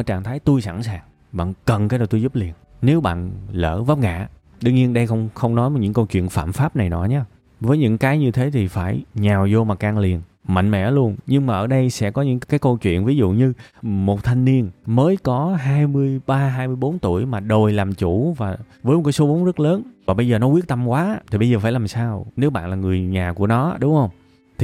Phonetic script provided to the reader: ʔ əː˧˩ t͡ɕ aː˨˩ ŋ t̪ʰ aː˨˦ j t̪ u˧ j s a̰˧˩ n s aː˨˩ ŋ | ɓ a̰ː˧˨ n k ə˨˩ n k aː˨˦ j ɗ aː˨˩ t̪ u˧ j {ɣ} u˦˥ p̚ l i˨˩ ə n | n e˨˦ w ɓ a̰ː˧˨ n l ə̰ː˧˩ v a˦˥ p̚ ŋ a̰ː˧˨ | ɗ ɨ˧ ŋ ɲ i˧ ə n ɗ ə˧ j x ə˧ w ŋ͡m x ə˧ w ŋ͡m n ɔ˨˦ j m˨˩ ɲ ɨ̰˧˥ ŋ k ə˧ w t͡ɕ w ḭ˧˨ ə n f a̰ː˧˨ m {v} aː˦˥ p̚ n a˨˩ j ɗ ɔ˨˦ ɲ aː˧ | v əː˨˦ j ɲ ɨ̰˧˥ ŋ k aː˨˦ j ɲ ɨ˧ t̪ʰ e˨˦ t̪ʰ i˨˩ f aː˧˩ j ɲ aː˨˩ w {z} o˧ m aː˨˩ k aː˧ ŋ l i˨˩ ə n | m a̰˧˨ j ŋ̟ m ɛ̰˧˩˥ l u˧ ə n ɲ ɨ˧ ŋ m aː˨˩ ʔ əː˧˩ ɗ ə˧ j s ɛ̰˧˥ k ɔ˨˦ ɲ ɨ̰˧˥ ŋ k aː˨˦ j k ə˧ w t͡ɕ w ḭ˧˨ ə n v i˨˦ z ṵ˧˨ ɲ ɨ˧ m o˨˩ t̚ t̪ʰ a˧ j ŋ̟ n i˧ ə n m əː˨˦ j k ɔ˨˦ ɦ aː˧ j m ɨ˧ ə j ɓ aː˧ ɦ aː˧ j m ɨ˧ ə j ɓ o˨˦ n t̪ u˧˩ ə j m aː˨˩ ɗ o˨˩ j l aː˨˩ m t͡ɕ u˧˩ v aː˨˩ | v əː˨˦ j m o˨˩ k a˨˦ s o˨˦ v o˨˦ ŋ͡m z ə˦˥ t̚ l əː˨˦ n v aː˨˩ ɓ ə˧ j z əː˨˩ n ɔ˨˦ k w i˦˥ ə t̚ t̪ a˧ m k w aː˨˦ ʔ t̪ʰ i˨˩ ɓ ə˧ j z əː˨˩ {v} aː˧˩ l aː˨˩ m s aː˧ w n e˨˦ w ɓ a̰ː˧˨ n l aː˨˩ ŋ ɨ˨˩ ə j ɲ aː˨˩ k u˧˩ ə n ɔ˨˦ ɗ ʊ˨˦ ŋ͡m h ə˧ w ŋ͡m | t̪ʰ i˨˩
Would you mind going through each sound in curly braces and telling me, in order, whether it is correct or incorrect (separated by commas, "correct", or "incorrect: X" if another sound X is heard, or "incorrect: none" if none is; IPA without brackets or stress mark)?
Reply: incorrect: z, incorrect: f, correct, incorrect: f